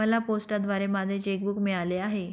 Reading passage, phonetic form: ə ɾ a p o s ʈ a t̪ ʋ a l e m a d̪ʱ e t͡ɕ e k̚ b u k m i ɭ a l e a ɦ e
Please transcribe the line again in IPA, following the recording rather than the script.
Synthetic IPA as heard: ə l a p o s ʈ a d̪ ʋ a ɾ e m a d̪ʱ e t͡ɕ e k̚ b u k m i ɭ a l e a ɦ e